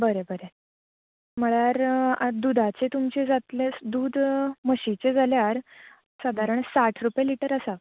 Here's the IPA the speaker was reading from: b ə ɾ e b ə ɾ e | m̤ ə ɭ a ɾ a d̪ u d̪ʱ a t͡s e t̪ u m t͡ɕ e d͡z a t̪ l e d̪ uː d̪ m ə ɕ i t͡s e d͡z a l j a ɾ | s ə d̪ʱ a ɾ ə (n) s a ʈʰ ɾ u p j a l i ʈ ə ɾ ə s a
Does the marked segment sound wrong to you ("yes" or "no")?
yes